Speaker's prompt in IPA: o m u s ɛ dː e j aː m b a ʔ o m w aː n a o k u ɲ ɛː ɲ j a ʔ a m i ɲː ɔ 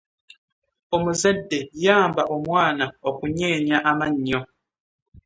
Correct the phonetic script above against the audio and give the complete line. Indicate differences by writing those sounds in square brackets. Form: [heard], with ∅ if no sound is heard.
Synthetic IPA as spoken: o m u [z] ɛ dː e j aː m b a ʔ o m w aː n a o k u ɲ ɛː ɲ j a ʔ a m [a] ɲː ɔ